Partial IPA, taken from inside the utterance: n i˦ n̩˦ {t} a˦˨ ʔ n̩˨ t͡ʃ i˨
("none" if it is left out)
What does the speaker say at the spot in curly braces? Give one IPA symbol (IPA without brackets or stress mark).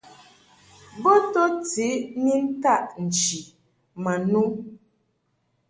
t